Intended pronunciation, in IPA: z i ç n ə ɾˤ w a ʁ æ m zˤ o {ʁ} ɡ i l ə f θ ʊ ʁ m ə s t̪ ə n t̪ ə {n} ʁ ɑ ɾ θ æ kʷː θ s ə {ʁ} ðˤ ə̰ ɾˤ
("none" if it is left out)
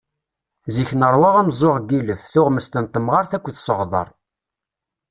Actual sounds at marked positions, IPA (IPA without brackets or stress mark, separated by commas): ʁ, m, ʁ